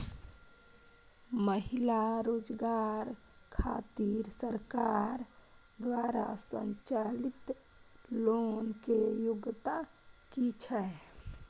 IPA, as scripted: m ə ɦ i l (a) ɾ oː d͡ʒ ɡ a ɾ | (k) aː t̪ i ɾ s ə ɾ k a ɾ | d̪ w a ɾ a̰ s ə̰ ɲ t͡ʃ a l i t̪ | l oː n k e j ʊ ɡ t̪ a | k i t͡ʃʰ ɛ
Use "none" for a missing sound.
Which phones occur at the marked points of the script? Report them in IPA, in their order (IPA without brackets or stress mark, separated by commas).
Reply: a, kʰ